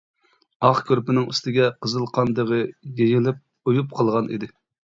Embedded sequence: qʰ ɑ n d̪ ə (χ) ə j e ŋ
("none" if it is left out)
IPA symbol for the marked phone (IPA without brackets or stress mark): ʁ